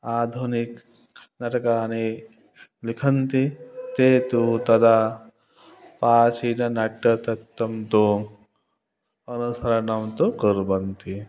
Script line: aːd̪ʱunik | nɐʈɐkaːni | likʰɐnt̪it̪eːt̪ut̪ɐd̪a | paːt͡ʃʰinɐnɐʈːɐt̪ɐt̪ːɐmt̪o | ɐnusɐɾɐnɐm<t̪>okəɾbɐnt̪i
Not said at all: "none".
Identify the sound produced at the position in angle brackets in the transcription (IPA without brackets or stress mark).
t̪